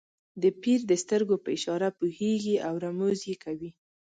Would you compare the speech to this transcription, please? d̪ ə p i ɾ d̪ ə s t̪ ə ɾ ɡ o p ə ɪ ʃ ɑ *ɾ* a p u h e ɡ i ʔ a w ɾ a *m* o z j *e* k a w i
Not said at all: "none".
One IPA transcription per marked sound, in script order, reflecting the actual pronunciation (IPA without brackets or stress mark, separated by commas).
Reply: ɾ, m, e